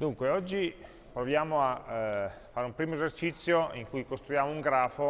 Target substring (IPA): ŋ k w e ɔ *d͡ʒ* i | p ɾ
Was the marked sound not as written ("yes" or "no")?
yes